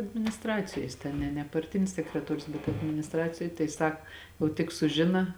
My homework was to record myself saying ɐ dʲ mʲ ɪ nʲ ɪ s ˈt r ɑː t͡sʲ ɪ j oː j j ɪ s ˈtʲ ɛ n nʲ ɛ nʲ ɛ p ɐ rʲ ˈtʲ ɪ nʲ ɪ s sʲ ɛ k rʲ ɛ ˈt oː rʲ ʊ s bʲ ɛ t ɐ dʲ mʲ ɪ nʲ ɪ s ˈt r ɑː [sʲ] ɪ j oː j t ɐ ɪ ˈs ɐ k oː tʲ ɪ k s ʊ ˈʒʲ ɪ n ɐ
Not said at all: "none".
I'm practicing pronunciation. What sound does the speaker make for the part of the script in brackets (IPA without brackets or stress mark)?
t͡sʲ